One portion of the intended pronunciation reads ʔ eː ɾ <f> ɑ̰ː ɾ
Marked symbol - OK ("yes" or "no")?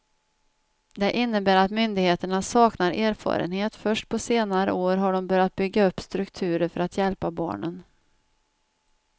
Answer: yes